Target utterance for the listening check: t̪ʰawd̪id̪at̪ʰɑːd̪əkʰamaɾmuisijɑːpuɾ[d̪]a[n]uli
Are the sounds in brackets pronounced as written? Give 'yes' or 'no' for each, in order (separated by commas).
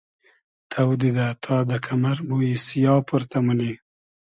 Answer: no, no